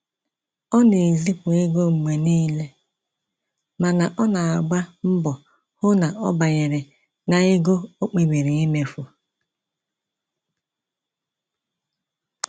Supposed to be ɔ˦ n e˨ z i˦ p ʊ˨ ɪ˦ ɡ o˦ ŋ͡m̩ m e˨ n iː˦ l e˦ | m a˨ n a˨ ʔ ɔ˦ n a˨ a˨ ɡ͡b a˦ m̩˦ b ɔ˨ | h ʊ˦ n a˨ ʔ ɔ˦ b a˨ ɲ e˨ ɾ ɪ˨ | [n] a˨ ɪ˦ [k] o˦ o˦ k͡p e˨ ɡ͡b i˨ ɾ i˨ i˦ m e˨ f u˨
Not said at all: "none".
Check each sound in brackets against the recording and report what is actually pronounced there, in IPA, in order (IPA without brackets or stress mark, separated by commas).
n, ɡ